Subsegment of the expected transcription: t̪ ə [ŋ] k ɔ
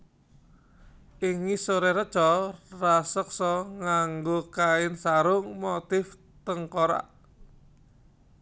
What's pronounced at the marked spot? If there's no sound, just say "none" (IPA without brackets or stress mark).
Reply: ŋ